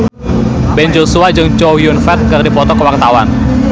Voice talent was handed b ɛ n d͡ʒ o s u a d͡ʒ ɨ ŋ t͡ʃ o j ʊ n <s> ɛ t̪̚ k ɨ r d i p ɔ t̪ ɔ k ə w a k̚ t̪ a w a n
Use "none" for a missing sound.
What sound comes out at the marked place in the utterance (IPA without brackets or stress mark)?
f